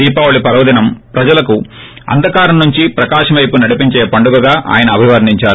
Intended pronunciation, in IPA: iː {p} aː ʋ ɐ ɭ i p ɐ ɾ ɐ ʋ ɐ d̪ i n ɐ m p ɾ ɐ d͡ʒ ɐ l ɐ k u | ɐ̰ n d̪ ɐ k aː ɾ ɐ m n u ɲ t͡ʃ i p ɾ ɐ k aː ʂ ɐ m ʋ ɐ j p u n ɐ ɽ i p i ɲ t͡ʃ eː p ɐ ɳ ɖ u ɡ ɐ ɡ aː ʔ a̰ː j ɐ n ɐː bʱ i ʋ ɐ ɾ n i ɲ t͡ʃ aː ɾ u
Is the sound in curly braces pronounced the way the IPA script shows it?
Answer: yes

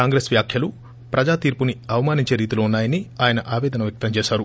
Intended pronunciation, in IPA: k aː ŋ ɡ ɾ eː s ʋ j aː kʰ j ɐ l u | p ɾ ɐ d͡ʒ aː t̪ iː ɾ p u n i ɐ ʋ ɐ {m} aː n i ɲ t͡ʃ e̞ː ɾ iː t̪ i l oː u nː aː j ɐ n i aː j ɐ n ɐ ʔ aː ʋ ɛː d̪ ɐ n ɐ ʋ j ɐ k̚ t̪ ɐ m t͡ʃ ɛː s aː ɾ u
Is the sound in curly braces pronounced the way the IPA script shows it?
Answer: yes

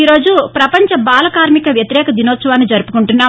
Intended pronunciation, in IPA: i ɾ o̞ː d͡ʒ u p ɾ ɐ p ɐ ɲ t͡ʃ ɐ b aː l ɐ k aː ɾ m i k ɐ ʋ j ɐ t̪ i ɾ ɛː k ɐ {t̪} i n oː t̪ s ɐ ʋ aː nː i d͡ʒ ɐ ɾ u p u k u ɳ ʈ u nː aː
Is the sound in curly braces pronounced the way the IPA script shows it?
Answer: no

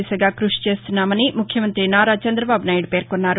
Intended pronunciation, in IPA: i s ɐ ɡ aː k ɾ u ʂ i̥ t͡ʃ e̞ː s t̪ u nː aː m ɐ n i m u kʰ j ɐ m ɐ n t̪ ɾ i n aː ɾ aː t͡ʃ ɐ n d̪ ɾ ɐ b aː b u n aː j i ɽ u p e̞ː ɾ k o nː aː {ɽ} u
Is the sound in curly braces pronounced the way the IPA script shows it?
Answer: no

